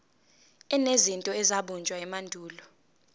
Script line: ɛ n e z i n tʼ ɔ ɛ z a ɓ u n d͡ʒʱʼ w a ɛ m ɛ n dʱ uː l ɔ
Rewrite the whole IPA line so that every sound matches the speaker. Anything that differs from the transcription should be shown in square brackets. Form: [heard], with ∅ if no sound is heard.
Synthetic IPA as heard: ɛ n e z i n tʼ ɔ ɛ z a ɓ u n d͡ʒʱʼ w a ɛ m [a] n dʱ uː l ɔ